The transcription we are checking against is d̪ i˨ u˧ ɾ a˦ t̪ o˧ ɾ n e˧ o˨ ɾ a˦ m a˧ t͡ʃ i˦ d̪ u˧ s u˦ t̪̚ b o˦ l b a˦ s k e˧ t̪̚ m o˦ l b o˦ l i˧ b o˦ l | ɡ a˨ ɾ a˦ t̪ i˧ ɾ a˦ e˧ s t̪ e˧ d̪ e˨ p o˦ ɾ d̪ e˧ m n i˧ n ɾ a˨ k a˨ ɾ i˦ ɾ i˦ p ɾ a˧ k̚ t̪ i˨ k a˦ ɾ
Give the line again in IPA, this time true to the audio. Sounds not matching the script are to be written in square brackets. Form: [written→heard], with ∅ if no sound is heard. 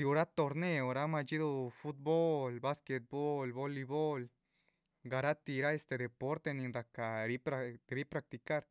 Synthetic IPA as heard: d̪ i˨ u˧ ɾ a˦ t̪ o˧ ɾ n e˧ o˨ ɾ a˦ m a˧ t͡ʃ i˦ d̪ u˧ [s→f] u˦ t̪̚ b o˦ l b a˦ s k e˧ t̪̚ [m→b] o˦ l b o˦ l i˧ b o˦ l | ɡ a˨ ɾ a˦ t̪ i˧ ɾ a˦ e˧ s t̪ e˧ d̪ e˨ p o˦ ɾ [d̪→t̪] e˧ [m→∅] n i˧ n ɾ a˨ k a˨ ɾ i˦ ɾ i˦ p ɾ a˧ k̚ t̪ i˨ k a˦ ɾ